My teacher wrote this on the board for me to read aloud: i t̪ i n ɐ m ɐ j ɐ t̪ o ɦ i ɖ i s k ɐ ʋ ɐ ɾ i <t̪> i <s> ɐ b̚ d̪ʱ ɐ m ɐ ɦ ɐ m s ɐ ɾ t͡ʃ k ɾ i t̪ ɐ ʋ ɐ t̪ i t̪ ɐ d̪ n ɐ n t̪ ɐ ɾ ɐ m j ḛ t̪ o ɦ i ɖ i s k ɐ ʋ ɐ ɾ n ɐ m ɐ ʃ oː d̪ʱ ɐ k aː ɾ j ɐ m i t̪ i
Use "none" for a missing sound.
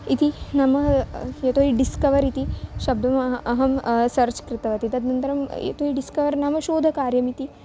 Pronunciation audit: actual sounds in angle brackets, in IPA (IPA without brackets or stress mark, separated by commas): t̪, ʃ